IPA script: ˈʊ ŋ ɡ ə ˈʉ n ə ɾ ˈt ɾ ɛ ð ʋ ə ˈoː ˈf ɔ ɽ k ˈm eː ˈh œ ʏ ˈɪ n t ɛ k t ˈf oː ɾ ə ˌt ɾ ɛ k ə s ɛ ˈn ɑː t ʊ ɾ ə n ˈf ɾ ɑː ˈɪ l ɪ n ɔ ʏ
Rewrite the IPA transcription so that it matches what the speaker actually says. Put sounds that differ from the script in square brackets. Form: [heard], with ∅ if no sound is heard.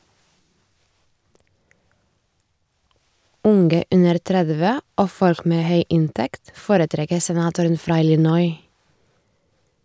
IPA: ˈʊ ŋ ɡ ə ˈʉ n ə ɾ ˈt ɾ ɛ ð ʋ ə ˈoː ˈf ɔ [ɾ] k ˈm eː ˈh œ ʏ ˈɪ n t ɛ k t ˈf oː ɾ ə ˌt ɾ ɛ k ə s ɛ ˈn ɑː t ʊ ɾ ə n ˈf ɾ ɑː ˈɪ l ɪ n ɔ ʏ